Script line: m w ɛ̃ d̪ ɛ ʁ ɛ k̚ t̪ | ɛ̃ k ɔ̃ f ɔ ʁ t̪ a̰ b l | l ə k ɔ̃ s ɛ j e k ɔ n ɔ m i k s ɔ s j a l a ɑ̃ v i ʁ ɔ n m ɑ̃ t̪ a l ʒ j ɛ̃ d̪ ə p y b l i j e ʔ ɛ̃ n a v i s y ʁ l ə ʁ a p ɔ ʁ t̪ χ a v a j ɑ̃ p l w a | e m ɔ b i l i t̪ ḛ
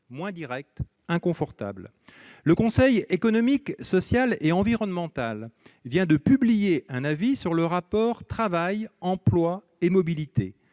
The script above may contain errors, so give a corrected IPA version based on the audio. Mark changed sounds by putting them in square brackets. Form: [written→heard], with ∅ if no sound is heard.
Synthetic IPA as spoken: m w ɛ̃ d̪ [ɛ→i] ʁ ɛ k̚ t̪ | ɛ̃ k ɔ̃ f ɔ ʁ t̪ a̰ b l | l ə k ɔ̃ s ɛ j e k ɔ n ɔ m i k s ɔ s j a l [a→e] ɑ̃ v i ʁ ɔ n m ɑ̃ t̪ a l [ʒ→v] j ɛ̃ d̪ ə p y b l i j e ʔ ɛ̃ n a v i s y ʁ l ə ʁ a p ɔ ʁ t̪ χ a v a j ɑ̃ p l w a | e m ɔ b i l i t̪ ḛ